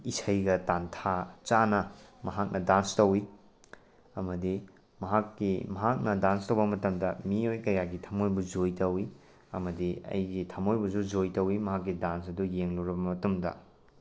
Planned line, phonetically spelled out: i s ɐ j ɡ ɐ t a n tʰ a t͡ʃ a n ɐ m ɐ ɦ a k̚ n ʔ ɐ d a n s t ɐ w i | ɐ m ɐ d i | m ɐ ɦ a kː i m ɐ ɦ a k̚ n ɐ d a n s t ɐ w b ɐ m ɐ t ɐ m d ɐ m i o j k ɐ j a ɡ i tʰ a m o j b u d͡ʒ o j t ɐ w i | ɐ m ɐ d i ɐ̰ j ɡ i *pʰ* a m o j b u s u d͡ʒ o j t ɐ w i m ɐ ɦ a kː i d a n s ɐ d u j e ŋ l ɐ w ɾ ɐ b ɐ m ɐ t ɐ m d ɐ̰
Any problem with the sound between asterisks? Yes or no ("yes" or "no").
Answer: yes